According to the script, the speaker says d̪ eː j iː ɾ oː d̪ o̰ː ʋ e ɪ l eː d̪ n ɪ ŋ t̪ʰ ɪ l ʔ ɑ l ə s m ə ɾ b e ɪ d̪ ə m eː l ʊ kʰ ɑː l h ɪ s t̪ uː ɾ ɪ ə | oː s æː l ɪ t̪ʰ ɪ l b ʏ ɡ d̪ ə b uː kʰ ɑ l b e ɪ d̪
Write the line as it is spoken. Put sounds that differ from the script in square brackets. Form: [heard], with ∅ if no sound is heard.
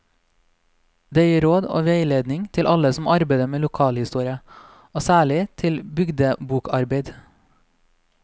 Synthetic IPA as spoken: d̪ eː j iː ɾ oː d̪ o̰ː ʋ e ɪ l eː d̪ n ɪ ŋ t̪ʰ ɪ l ʔ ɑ l ə s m [ɑ] ɾ b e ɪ d̪ ə m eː l ʊ kʰ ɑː l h ɪ s t̪ uː ɾ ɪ ə | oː s æː [ɭ] ɪ t̪ʰ ɪ l b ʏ ɡ d̪ ə b uː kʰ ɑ [ɾ] b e ɪ d̪